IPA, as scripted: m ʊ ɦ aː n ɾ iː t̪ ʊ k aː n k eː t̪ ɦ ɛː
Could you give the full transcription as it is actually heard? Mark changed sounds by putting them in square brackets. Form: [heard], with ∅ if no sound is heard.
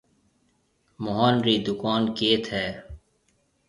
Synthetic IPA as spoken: m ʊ ɦ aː n ɾ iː [d̪] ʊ k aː n k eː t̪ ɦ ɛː